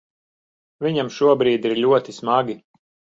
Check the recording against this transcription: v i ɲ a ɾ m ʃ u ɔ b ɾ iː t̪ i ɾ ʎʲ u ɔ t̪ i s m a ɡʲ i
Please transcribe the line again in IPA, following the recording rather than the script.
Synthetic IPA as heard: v i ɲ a m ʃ u ɔ b ɾ iː d̪ i ɾ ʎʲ u ɔ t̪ i s m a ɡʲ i

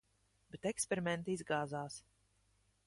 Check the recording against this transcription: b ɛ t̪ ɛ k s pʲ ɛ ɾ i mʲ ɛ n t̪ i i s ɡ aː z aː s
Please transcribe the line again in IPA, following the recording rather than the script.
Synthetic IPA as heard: b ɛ t̪ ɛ k s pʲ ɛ ɾ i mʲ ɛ n t̪ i i z ɡ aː z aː s

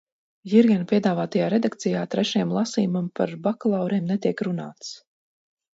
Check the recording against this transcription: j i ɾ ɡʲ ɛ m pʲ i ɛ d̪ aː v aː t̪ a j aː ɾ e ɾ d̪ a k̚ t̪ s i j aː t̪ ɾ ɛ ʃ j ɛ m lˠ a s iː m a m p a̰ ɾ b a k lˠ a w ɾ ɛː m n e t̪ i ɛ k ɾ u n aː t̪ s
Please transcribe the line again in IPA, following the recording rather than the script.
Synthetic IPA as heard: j i ɾ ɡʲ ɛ n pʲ i ɛ d̪ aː v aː t̪ a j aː ɾ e d̪ a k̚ t̪ s i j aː t̪ ɾ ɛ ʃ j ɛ m lˠ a s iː m a m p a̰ ɾ b a k lˠ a w ɾ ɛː m n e t̪ i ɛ k ɾ u n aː t̪ s

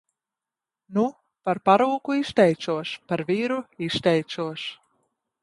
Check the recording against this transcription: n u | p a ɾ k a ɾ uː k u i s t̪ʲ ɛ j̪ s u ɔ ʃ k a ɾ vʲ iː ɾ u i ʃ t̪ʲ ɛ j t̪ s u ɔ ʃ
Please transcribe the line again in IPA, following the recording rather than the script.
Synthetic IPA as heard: n u | p a ɾ p a ɾ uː k u i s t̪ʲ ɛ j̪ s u ɔ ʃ p a ɾ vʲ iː ɾ u i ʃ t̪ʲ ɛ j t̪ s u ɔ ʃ

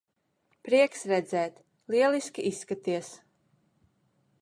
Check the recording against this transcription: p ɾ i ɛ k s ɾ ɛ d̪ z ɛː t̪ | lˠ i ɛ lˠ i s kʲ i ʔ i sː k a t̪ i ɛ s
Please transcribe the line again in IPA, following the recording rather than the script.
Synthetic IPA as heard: p ɾ i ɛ k s ɾ ɛ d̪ z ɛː t̪ | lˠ i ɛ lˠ i s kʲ i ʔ i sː k a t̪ i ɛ s

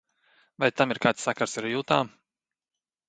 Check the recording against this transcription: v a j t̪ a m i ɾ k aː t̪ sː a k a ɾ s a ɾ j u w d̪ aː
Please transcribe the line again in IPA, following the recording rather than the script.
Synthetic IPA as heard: v a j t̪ a m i ɾ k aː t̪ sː a k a ɾ s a ɾ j u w t̪ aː

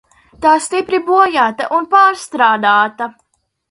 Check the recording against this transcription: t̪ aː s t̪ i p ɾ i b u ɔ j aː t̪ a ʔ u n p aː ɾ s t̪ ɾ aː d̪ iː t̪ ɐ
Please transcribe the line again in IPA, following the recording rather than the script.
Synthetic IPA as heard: t̪ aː s t̪ i p ɾ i b u ɔ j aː t̪ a ʔ u n p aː ɾ s t̪ ɾ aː d̪ aː t̪ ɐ

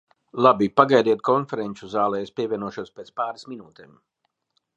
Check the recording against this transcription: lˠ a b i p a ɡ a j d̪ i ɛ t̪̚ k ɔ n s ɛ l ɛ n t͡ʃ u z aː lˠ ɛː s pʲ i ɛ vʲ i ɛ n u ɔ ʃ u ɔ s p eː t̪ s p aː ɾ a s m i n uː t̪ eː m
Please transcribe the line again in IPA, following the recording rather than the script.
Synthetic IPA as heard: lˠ a b i p a ɡ a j d̪ i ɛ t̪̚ k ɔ n f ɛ ɾ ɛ n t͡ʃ u z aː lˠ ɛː s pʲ i ɛ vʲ i ɛ n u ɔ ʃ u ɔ s p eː t̪ s p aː ɾ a s m i n uː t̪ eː m

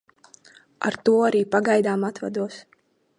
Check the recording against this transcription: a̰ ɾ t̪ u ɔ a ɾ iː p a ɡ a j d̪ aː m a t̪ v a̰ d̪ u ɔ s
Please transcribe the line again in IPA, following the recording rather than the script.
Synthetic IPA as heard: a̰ ɾ t̪ u ɔ a ɾ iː p a ɡ a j d̪ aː m a t̪ v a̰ d̪ u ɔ s

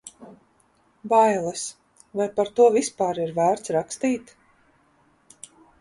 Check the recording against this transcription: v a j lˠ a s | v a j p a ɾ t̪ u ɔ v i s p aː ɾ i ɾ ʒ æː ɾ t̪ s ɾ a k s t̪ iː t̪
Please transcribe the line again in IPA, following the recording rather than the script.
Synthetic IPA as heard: b a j lˠ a s | v a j p a ɾ t̪ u ɔ v i s p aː ɾ i ɾ v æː ɾ t̪ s ɾ a k s t̪ iː t̪

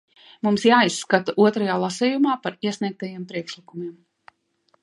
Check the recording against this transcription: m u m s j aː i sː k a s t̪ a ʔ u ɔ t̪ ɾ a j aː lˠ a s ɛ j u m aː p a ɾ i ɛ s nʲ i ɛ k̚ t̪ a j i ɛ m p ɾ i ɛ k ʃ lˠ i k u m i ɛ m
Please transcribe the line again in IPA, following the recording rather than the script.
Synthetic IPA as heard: m u m s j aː i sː k a t̪ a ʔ u ɔ t̪ ɾ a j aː lˠ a s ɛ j u m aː p a ɾ i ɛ s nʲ i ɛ k̚ t̪ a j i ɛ m p ɾ i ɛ k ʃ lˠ i k u m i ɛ m

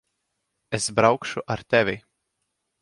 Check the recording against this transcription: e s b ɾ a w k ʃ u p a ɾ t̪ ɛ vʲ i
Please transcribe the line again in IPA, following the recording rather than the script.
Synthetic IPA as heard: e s b ɾ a w k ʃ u ʔ a ɾ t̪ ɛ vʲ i

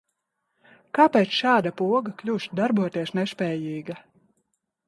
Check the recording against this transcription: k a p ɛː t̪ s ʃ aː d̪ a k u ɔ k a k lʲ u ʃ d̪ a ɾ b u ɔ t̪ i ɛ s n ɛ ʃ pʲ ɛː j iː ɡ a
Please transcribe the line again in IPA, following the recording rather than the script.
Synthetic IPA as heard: k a p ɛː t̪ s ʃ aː d̪ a p u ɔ ɡ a k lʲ u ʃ d̪ a ɾ b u ɔ t̪ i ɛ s n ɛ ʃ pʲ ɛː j iː ɡ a

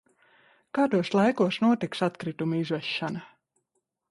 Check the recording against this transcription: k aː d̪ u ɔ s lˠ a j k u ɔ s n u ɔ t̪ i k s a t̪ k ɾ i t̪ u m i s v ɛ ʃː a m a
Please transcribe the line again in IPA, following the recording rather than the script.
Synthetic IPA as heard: k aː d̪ u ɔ s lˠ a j k u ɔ s n u ɔ t̪ i k s a t̪ k ɾ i t̪ u m i z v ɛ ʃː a n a

